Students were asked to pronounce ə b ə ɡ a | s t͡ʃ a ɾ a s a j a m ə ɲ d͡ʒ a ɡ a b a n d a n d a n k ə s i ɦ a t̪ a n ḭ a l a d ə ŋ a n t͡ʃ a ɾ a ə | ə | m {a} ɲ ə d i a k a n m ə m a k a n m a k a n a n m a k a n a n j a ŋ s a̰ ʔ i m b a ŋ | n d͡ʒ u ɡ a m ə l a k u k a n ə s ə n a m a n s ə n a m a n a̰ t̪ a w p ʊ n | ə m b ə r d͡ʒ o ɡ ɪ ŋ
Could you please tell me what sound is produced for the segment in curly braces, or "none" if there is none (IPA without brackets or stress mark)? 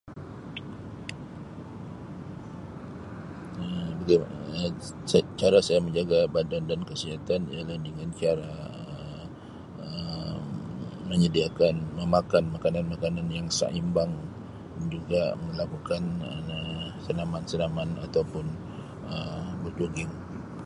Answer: ə